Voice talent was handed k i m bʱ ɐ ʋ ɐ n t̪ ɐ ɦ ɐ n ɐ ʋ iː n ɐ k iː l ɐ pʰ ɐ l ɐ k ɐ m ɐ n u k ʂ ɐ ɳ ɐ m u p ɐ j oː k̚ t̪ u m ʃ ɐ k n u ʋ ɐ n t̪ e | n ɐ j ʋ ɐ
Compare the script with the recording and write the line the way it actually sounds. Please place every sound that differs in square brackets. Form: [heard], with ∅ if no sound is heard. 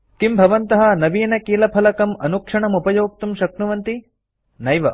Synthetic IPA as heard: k i m bʱ ɐ ʋ ɐ n t̪ ɐ ɦ ɐ n ɐ ʋ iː n ɐ k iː l ɐ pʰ ɐ l ɐ k ɐ m ɐ n u k ʂ ɐ ɳ ɐ m u p ɐ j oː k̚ t̪ u m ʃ ɐ k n u ʋ ɐ n t̪ [i] | n ɐ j ʋ ɐ